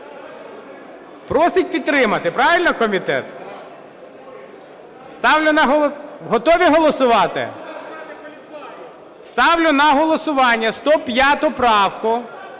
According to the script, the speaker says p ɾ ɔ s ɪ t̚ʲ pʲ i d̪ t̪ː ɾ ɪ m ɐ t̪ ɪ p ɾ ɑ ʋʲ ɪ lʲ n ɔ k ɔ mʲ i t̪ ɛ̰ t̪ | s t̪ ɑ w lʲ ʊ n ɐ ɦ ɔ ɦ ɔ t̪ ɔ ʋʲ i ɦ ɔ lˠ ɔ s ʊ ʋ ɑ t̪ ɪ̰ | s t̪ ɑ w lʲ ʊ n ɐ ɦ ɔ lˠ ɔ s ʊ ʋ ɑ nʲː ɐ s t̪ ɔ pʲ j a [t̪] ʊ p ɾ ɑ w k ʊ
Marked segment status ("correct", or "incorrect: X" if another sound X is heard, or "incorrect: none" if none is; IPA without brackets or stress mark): correct